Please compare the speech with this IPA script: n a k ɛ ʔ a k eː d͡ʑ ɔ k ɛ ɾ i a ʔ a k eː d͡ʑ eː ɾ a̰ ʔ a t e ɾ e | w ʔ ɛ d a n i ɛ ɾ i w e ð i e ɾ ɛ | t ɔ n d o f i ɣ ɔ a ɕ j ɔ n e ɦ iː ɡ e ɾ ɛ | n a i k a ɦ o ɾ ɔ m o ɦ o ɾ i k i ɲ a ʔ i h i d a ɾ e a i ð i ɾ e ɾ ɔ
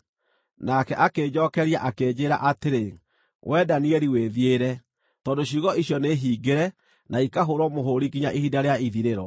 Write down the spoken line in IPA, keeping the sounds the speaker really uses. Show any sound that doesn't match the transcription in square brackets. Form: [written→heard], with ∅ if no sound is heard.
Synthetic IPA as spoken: n a k ɛ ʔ a k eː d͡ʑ ɔ k ɛ ɾ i a ʔ a k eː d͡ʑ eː ɾ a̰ ʔ a t e ɾ e | w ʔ ɛ d a n i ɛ ɾ i w e ð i e ɾ ɛ | t ɔ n d o [f→ɕ] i ɣ ɔ [a→i] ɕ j ɔ n e ɦ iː ɡ e ɾ ɛ | n a i k a ɦ o ɾ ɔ m o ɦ o ɾ i k i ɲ a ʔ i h i d a ɾ e a i ð i ɾ e ɾ ɔ